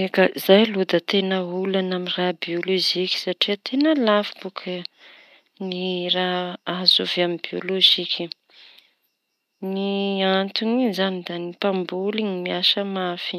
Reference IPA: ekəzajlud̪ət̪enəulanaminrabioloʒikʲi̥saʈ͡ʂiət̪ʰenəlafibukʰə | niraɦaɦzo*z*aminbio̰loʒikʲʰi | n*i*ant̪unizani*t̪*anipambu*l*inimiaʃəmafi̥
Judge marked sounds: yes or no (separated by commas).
no, yes, no, yes